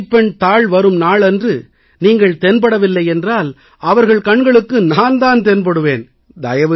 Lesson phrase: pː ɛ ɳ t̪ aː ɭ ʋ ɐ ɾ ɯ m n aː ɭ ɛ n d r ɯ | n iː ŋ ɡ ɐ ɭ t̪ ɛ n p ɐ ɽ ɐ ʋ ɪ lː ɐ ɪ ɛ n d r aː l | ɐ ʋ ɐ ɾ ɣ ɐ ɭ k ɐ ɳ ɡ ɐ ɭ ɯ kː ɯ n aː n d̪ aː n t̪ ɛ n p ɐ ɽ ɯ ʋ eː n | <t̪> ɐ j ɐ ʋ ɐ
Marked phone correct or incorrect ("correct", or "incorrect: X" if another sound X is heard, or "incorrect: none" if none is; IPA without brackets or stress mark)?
incorrect: d̪